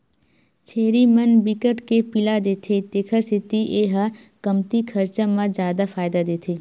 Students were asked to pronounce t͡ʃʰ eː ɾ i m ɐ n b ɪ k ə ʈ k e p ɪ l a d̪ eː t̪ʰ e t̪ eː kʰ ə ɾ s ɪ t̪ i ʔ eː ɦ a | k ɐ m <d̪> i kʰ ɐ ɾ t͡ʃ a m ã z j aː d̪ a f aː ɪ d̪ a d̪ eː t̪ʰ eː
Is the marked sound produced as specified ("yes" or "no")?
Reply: no